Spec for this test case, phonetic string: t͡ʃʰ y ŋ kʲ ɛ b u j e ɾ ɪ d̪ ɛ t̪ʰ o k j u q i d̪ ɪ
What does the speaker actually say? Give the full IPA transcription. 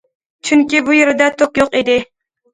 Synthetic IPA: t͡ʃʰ y ŋ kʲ i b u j e ɾ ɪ d̪ ɛ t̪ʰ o k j o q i d̪ ɪ